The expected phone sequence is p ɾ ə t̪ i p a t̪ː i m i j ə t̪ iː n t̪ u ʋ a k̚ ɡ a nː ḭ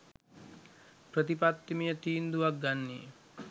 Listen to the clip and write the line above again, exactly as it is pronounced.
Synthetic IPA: p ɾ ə t̪ i p a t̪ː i m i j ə t̪ iː n d̪ u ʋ a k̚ ɡ a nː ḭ